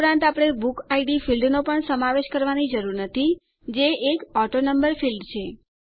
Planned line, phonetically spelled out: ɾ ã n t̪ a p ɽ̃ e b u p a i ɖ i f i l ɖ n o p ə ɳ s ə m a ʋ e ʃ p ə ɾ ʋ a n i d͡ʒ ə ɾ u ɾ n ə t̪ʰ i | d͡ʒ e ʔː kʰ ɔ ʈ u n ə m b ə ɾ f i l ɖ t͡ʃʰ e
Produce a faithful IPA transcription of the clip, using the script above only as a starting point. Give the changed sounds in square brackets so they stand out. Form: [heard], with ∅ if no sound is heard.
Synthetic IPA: ɾ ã n t̪ a p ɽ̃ e b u [k] a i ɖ i f i l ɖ n o p ə ɳ s ə m a ʋ e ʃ [k] ə ɾ ʋ a n i d͡ʒ ə ɾ u ɾ n ə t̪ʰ i | d͡ʒ e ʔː [k] ɔ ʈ [o] n ə m b ə ɾ f i l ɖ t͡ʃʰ e